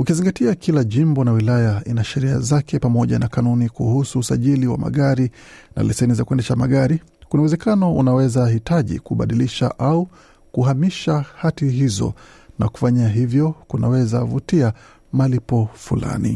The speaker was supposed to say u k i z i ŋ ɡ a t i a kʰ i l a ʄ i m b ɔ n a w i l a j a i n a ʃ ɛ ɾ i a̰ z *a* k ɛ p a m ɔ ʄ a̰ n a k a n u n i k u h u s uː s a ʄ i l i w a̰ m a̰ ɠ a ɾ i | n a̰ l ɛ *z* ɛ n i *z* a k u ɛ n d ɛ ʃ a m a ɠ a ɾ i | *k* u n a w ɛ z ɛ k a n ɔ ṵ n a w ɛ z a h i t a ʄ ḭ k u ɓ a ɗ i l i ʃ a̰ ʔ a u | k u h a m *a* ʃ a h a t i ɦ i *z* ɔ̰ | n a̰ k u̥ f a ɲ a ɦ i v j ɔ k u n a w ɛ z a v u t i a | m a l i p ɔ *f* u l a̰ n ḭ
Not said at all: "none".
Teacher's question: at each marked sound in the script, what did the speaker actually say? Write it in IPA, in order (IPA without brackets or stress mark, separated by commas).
a, s, z, k, i, z, f